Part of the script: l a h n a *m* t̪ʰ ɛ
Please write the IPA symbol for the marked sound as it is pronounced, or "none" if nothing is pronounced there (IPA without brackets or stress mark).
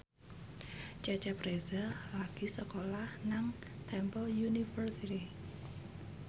ŋ